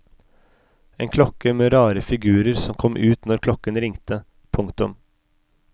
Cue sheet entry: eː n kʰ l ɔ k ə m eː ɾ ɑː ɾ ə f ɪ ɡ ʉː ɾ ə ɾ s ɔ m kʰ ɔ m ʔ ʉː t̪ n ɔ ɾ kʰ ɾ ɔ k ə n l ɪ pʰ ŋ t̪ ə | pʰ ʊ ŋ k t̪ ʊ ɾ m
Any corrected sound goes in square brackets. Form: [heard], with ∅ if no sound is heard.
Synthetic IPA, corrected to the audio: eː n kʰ l ɔ k ə m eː ɾ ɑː ɾ ə f ɪ ɡ ʉː ɾ ə ɾ s ɔ m kʰ ɔ m ʔ ʉː t̪ n ɔ ɾ kʰ [l] ɔ k ə n [ɾ] ɪ [∅] ŋ t̪ ə | pʰ ʊ ŋ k t̪ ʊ [∅] m